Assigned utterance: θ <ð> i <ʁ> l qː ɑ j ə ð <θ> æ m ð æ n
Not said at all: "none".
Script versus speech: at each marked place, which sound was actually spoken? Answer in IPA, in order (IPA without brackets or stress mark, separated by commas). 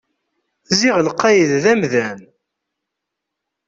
z, ʁ, ð